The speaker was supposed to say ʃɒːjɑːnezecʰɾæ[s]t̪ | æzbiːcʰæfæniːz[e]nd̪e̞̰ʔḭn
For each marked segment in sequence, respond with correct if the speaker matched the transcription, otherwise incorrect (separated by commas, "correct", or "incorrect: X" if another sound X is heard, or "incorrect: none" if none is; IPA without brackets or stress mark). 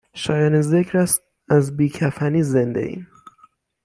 correct, correct